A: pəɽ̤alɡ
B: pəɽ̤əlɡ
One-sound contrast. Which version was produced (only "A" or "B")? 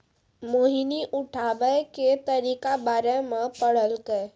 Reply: B